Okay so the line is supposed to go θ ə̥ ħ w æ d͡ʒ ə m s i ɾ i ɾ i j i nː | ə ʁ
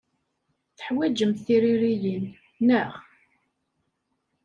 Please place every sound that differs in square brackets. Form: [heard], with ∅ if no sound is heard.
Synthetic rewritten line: θ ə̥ ħ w æ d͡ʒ ə m [θ] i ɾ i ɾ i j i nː | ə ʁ